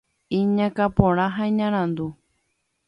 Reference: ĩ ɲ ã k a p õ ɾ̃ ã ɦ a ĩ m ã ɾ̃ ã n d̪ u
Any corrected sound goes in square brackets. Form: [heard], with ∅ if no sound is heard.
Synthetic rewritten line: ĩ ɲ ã k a p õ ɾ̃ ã ɦ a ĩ [ɲ] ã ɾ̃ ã n d̪ u